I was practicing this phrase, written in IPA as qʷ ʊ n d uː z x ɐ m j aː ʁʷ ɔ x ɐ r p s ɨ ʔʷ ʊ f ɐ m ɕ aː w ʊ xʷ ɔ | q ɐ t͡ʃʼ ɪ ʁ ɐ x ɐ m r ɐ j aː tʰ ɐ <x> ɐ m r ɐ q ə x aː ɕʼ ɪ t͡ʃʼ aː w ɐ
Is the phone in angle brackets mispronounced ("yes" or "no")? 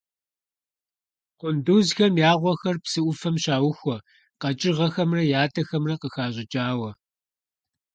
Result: no